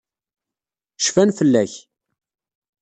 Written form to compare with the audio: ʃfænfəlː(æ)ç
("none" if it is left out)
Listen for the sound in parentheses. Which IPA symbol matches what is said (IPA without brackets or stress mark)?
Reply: æ